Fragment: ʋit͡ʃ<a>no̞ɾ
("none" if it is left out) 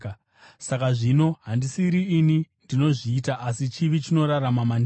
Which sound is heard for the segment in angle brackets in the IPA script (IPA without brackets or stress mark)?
i